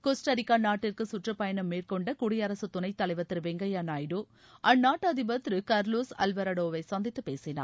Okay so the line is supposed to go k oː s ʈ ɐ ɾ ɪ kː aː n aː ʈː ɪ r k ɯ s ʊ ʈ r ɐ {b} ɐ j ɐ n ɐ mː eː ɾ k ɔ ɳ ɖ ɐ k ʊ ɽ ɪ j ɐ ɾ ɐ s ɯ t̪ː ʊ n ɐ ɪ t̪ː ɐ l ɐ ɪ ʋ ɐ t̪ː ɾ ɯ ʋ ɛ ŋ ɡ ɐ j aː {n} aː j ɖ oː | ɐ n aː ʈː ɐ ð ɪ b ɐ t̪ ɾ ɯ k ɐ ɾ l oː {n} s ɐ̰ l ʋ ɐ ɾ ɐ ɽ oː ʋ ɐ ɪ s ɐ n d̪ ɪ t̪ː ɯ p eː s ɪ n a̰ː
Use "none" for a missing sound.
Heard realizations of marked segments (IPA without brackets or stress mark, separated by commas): p, n, none